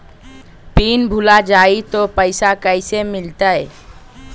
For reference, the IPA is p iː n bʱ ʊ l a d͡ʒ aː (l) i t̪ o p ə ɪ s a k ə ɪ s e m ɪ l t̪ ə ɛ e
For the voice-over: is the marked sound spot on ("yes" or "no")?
no